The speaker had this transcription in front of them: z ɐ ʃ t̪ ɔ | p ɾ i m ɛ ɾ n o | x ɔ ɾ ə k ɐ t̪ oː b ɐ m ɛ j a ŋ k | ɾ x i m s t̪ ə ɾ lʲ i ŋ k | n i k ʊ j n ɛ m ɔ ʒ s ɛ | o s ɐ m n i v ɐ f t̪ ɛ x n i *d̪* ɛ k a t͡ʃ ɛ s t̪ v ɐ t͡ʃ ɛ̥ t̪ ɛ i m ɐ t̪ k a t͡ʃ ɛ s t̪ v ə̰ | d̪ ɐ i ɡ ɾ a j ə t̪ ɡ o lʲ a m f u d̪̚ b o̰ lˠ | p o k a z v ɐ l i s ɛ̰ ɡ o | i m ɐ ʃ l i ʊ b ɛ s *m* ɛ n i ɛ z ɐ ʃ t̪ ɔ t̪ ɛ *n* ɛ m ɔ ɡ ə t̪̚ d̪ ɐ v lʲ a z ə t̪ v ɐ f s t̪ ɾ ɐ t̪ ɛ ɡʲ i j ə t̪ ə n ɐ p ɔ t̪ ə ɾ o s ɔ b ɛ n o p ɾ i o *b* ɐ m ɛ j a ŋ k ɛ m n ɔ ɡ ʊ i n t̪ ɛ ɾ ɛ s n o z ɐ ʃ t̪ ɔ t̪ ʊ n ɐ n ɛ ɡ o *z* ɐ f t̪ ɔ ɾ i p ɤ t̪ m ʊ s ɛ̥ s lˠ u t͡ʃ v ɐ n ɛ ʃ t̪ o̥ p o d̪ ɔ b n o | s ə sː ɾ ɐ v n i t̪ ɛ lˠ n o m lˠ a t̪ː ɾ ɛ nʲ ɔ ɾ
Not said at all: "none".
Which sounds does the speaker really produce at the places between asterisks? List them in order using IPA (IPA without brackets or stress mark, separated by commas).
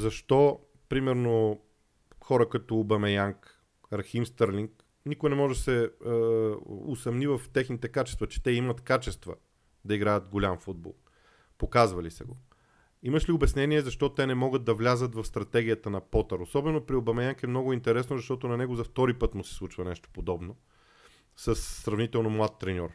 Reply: t̪, n, n, b, z